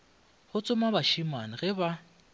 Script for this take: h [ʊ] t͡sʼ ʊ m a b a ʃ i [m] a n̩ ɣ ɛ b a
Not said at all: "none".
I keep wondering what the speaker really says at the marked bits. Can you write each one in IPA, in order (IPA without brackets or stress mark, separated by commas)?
ʊ, m